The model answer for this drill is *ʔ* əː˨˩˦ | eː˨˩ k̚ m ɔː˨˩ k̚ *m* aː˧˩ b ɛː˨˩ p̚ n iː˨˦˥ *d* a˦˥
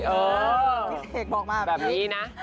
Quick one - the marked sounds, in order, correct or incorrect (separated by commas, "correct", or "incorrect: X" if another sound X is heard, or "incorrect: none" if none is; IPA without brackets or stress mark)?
correct, correct, incorrect: n